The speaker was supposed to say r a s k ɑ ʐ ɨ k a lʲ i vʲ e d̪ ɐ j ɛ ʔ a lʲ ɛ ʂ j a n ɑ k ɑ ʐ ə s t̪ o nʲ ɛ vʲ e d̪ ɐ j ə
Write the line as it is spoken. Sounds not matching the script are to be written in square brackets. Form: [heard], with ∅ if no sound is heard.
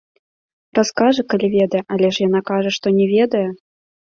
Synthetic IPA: r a s k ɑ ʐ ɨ k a lʲ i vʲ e d̪ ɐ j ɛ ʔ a lʲ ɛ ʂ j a n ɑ k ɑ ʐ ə [ʂ] t̪ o nʲ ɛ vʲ e d̪ ɐ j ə